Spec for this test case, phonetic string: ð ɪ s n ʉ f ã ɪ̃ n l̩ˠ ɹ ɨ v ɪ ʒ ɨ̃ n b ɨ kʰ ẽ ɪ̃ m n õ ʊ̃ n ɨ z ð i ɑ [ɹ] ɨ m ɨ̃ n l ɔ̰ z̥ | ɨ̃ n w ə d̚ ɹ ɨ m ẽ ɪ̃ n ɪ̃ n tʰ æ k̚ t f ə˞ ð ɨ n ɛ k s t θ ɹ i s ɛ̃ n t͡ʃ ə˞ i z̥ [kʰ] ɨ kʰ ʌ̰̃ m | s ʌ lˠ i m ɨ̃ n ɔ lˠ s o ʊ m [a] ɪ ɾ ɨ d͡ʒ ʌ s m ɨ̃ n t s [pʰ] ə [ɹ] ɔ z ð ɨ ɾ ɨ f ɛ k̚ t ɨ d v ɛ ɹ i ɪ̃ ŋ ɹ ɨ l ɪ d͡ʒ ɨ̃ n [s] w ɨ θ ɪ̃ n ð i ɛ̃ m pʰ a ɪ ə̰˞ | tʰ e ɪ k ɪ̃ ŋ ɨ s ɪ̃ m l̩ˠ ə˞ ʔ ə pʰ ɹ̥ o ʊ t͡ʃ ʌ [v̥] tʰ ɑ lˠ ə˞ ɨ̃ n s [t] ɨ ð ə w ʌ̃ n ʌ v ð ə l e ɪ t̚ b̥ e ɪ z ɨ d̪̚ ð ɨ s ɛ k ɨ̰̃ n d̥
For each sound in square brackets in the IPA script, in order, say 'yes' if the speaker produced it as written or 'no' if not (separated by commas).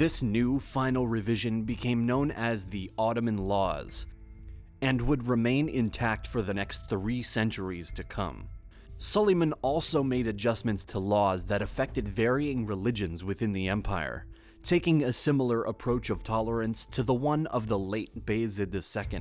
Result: no, no, no, no, no, no, yes, no